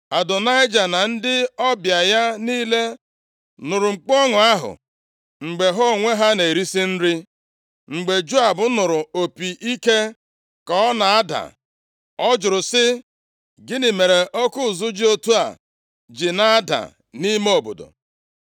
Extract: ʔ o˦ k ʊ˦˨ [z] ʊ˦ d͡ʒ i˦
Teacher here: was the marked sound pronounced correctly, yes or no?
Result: yes